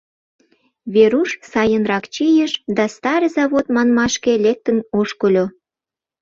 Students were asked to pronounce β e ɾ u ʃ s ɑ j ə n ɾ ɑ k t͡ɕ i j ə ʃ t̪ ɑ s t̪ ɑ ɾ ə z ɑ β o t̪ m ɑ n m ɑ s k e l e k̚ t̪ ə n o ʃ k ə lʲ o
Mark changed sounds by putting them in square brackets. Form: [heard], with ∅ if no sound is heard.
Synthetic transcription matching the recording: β e ɾ u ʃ s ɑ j ə n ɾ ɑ k t͡ɕ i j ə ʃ [d̪] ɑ s t̪ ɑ ɾ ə z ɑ β o t̪ m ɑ n m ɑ [ʃ] k e l e k̚ t̪ ə n o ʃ k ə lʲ o